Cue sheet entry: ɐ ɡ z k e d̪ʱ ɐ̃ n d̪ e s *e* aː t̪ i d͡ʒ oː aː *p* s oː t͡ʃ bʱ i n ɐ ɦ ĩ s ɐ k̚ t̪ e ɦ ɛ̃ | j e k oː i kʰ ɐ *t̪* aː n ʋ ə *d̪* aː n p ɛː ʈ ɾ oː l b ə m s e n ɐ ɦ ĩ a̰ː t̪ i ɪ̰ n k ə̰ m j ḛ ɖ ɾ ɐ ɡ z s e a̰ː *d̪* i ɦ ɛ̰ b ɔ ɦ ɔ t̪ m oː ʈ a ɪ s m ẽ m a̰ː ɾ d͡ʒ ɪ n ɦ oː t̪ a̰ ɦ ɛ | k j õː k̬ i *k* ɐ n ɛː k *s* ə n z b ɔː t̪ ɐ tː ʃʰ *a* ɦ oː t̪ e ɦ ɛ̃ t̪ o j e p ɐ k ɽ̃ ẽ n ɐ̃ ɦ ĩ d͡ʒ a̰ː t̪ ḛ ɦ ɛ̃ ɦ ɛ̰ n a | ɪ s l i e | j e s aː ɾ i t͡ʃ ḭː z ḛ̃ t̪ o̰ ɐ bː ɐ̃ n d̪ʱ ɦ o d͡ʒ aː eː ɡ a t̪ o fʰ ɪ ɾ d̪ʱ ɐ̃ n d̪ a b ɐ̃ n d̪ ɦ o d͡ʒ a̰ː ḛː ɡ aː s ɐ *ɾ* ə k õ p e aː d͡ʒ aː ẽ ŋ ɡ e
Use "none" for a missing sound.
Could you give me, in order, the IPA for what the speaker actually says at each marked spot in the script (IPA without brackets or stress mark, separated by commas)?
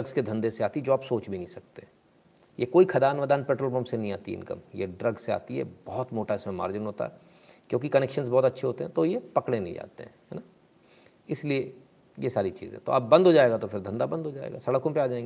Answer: e, p, d̪, d̪, t̪, k, ʃ, e, ɽ